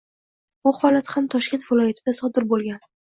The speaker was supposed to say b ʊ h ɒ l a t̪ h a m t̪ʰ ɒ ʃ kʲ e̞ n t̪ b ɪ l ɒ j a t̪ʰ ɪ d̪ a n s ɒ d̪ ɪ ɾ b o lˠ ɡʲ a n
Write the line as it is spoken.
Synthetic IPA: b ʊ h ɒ l a t̪ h a m t̪ʰ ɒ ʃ kʲ e̞ n t̪ v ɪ l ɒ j a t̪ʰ ɪ d̪ a s ɒ d̪ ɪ ɾ b o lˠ ɡʲ a n

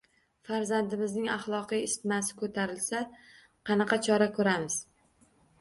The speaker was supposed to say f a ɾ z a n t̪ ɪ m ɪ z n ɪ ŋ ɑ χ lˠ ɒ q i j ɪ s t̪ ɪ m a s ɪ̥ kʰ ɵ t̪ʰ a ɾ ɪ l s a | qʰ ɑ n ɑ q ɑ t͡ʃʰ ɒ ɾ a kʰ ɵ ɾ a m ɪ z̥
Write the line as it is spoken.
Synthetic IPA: f a ɾ z a n d̪ ɪ m ɪ z n ɪ ŋ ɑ χ lˠ ɒ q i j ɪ s t̪ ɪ m a s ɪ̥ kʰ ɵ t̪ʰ a ɾ ɪ l s a | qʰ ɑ n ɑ q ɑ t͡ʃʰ ɒ ɾ a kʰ ɵ ɾ a m ɪ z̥

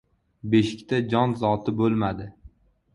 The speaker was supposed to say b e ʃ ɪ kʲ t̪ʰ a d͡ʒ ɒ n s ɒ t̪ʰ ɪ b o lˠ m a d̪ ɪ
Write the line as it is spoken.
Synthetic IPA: b e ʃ ɪ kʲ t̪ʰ a d͡ʒ ɒ n z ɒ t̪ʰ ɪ b o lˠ m a d̪ ɪ

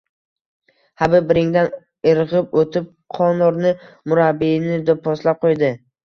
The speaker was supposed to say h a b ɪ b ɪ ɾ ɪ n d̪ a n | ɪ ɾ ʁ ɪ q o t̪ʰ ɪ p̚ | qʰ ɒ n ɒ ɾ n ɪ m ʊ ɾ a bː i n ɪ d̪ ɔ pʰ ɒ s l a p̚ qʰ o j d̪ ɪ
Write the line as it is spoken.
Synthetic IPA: h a b ɪ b ɪ ɾ ɪ ŋ d̪ a n | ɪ ɾ ʁ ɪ p o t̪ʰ ɪ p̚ | qʰ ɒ n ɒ ɾ n ɪ m ʊ ɾ a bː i n ɪ d̪ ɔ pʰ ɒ s l a p̚ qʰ o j d̪ ɪ

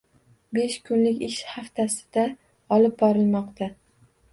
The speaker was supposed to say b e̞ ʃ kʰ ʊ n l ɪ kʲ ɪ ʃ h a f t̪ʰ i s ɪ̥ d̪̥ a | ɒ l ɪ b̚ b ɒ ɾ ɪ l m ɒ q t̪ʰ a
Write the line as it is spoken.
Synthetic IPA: b e̞ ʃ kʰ ʊ n l ɪ kʲ ɪ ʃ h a f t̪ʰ a s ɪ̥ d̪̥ a | ɒ l ɪ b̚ b ɒ ɾ ɪ l m ɒ q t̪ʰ a

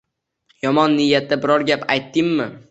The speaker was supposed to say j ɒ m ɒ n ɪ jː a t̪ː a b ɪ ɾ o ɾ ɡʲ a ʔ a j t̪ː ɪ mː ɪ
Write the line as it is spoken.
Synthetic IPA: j ɒ m ɒ nː ɪ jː a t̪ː a b ɪ ɾ ɒ ɾ ɡʲ a p a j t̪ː ɪ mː ɪ

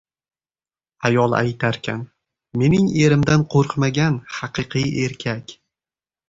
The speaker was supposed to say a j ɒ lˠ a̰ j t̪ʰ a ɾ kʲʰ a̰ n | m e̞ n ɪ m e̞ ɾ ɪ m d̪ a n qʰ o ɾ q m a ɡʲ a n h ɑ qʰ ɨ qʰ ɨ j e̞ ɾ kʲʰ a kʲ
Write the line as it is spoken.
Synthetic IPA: a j ɒ lˠ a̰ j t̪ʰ a ɾ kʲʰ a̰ n | m e̞ n ɪ ŋ e̞ ɾ ɪ m d̪ a n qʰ o ɾ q m a ɡʲ a n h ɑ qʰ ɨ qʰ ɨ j e̞ ɾ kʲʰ a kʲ

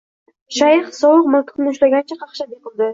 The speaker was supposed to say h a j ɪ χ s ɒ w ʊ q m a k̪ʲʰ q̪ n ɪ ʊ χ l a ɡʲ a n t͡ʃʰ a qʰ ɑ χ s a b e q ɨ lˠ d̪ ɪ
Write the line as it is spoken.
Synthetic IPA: ʃ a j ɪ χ s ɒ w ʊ q m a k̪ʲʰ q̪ n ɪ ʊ ʃ l a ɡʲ a n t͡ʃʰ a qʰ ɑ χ ʃ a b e q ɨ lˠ d̪ ɪ

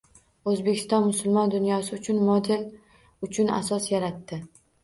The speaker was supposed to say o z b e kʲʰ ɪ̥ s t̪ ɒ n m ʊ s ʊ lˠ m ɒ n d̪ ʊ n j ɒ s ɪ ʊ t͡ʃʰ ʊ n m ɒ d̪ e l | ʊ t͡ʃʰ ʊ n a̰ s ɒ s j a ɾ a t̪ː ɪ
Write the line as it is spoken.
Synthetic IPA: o z b e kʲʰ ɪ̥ s t̪ ɒ n m ʊ s ʊ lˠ m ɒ n d̪ ʊ n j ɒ s ɪ ʊ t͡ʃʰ ʊ n m ɒ d̪ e l | ʊ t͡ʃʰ ʊ n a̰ s ɒ s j a ɾ a t̪ː ɪ

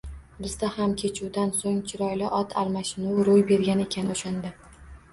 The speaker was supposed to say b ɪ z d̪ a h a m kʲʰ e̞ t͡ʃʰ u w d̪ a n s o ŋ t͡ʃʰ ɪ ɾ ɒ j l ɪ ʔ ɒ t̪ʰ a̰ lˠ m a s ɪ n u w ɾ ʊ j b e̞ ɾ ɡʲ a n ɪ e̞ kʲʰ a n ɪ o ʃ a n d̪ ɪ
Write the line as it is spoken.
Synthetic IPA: b ɪ z d̪ a h a m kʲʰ e̞ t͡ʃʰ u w d̪ a n s o ŋ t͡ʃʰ ɪ ɾ ɒ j l ɪ ʔ ɒ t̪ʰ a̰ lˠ m a ʃ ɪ n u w ɾ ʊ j b e̞ ɾ ɡʲ a n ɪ e̞ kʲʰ a n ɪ o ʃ a n d̪ ɪ

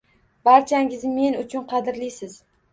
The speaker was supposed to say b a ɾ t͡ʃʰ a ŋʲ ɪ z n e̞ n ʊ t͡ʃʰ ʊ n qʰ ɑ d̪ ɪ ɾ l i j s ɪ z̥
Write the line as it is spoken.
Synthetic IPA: b a ɾ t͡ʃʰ a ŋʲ ɪ z m e̞ n ʊ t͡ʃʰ ʊ n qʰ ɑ d̪ ɪ ɾ l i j s ɪ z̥

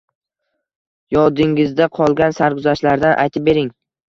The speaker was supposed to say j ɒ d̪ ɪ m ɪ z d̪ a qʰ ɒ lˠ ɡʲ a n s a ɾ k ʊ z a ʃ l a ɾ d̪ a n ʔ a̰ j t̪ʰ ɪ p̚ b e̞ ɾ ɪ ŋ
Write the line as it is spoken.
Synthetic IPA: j ɒ d̪ ɪ ŋ ɪ z d̪ a qʰ ɒ lˠ ɡʲ a n s a ɾ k ʊ z a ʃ l a ɾ d̪ a n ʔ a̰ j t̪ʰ ɪ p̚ b e̞ ɾ ɪ ŋ

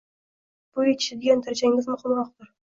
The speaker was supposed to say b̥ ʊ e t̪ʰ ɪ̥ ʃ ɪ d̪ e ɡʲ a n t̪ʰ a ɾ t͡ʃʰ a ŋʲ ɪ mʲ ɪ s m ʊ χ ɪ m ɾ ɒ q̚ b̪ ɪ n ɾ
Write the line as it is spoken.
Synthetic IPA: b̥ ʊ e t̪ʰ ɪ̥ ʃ ɪ d̪ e ɡʲ a n t̪ʰ a ɾ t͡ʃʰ a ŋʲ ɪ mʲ ɪ z m ʊ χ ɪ m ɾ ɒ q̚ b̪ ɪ ɾ

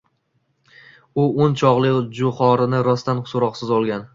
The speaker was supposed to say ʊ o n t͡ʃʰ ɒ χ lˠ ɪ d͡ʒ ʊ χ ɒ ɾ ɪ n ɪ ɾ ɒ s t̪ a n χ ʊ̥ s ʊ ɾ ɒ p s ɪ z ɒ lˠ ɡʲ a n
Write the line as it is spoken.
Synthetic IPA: ʊ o n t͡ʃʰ ɒ ʁ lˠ ɪ d͡ʒ ʊ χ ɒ ɾ ɪ n ɪ ɾ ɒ s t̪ a n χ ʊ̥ s ʊ ɾ ɒ q s ɪ z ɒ lˠ ɡʲ a n

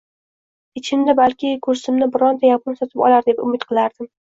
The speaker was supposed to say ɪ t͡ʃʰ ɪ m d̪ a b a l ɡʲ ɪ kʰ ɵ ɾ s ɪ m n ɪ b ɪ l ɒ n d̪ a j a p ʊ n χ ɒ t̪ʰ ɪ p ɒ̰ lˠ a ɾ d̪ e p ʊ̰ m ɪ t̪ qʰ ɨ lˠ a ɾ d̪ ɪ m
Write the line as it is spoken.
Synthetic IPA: ɪ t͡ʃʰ ɪ m d̪ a b a l kʲ ɪ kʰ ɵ ɾ s ɪ m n ɪ b ɪ ɾ ɒ n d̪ a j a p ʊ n s ɒ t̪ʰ ɪ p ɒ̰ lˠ a ɾ d̪ e p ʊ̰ m ɪ t̪ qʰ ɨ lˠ a ɾ d̪ ɪ m

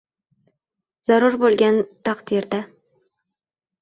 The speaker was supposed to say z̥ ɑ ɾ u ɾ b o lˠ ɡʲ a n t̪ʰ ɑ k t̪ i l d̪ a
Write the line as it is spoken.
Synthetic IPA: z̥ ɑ ɾ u ɾ b o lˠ ɡʲ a n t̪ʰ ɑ q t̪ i ɾ d̪ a

